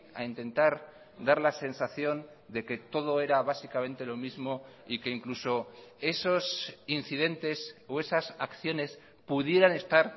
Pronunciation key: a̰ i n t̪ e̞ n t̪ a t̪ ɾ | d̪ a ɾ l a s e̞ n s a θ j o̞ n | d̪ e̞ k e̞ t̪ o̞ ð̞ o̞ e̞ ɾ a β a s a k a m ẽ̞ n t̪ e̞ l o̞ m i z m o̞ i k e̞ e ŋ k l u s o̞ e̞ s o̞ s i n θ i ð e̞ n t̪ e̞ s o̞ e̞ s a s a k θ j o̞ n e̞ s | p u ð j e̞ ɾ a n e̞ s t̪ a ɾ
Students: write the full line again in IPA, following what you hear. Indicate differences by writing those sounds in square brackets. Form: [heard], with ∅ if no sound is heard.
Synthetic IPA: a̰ i n t̪ e̞ n t̪ a [∅] ɾ | d̪ a ɾ l a s e̞ n s a θ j o̞ n | d̪ e̞ k e̞ t̪ o̞ ð̞ o̞ e̞ ɾ a β a s [i] k a m ẽ̞ n t̪ e̞ l o̞ m i z m o̞ i k e̞ [i] ŋ k l u s o̞ e̞ s o̞ s i n θ i ð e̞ n t̪ e̞ s o̞ e̞ s a s a k θ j o̞ n e̞ s | p u ð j e̞ ɾ a n e̞ s t̪ a ɾ